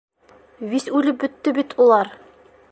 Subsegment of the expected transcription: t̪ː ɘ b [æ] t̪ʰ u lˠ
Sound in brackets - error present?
yes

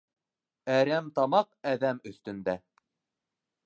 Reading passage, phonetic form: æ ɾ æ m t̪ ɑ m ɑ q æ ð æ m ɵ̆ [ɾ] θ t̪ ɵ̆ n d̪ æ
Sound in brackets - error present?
yes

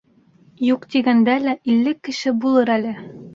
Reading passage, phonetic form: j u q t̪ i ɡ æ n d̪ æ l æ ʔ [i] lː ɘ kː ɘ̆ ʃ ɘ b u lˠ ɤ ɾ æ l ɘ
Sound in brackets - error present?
no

